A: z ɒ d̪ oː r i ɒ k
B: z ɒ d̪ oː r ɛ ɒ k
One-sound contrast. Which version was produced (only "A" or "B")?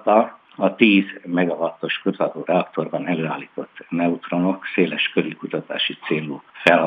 B